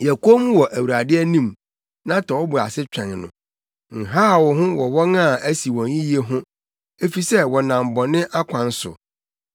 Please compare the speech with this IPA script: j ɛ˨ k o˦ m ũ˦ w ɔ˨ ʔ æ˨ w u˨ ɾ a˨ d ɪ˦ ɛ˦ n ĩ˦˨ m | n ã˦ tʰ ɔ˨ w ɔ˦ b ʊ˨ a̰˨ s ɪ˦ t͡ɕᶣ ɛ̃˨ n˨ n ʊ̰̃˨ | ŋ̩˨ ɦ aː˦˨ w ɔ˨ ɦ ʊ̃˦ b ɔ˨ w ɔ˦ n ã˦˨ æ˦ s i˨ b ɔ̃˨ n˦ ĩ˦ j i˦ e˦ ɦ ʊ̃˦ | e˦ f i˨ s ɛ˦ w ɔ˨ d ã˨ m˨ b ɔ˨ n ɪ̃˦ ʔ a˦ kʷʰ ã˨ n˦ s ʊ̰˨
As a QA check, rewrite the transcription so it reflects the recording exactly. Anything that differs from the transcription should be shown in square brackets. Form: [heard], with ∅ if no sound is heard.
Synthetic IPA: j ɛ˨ k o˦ m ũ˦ w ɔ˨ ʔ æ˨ w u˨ ɾ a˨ d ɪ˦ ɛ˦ n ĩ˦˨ m | n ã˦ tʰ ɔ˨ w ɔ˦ b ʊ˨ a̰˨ s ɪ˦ t͡ɕᶣ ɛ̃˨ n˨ n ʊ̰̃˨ | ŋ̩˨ ɦ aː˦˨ w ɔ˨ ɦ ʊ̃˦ [w] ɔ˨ w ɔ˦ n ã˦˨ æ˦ s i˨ [w] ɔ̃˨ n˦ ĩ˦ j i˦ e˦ ɦ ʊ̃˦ | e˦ f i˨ s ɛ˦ w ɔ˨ [n] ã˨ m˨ b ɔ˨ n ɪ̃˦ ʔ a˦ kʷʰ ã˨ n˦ s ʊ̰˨